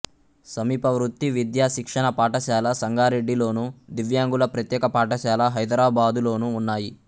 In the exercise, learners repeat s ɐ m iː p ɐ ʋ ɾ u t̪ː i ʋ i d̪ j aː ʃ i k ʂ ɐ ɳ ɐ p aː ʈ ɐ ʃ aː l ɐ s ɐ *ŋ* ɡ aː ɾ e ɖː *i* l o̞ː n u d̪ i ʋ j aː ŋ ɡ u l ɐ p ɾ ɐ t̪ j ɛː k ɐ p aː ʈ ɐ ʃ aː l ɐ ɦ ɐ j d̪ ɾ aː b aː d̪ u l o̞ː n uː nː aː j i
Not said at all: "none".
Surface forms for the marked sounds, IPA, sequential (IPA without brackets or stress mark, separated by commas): ŋ, i